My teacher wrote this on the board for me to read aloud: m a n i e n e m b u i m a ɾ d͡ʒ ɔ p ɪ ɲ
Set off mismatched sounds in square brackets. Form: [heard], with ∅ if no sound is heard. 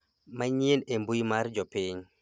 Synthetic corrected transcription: m a [ɲ] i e n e m b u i m a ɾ d͡ʒ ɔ p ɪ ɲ